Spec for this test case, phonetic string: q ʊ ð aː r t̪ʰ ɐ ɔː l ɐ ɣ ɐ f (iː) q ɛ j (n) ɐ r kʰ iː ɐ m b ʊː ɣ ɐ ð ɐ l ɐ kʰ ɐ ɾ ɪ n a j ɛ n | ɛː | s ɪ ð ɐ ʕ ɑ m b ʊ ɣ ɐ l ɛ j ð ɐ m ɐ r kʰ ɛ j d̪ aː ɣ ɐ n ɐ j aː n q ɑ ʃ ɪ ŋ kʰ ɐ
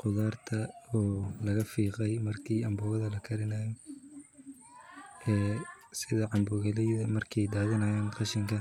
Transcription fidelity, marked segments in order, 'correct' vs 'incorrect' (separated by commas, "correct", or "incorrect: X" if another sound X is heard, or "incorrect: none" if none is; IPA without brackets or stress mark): correct, incorrect: m